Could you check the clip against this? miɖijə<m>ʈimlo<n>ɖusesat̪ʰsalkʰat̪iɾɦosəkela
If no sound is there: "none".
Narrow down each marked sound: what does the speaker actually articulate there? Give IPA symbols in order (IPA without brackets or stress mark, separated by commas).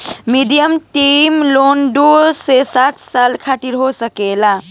m, n